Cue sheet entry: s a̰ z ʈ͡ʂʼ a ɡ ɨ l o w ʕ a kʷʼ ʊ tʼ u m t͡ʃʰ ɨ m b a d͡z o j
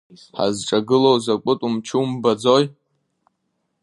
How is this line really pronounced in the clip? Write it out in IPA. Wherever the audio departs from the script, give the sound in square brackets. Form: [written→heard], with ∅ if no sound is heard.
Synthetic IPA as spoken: [s→ħ] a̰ z ʈ͡ʂʼ a ɡ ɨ l o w [ʕ→z] a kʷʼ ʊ tʼ u m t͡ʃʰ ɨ m b a d͡z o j